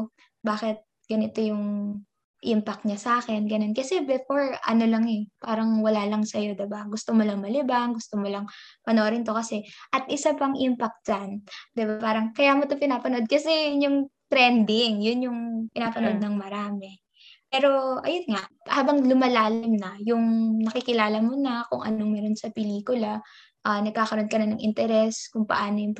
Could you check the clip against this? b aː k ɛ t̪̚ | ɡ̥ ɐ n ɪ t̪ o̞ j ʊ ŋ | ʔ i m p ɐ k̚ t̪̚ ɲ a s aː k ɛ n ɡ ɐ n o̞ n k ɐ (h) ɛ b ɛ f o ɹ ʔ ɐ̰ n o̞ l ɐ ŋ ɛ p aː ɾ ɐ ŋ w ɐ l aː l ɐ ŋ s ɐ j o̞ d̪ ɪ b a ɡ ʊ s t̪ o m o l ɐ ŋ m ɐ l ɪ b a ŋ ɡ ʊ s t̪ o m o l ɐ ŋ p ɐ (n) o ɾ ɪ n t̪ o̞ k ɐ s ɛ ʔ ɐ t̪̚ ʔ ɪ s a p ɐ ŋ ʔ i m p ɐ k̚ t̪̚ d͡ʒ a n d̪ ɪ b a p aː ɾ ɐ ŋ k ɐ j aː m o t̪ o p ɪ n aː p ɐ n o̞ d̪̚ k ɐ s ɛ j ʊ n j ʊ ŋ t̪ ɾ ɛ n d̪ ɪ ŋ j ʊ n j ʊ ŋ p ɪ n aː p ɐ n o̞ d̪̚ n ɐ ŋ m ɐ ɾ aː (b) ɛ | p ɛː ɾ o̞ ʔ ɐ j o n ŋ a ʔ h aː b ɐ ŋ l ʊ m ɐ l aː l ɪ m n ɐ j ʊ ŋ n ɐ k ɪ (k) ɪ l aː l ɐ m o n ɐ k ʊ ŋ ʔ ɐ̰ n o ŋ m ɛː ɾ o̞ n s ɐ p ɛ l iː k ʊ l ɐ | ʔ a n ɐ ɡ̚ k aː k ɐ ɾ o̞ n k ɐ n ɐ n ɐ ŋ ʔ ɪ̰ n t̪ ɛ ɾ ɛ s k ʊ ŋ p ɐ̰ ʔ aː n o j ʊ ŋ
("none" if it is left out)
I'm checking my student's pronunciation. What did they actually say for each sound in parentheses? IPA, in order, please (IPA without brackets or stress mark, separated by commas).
s, n, m, k